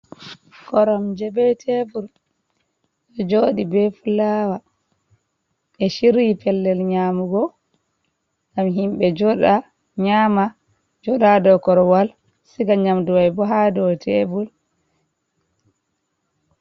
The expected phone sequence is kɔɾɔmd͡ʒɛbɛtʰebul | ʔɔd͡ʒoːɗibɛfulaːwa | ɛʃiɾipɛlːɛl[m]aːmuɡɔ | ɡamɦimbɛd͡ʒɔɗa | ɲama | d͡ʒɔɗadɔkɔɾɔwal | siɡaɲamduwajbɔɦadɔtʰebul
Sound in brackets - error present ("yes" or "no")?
yes